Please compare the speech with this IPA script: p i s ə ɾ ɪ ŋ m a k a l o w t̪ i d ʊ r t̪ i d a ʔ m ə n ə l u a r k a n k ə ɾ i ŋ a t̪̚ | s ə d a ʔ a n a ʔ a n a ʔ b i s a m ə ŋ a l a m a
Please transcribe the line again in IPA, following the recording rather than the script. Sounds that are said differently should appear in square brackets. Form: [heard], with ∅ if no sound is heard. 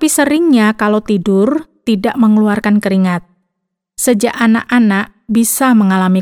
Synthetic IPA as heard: p i s ə ɾ ɪ ŋ [ɲ] a k a l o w t̪ i d ʊ r t̪ i d a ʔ m ə [ŋ] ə l u a r k a n k ə ɾ i ŋ a t̪̚ | s ə [d͡ʒ] a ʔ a n a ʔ a n a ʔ b i s a m ə ŋ a l a m [i]